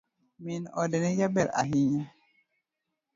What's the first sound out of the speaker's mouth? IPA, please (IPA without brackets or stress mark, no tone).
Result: m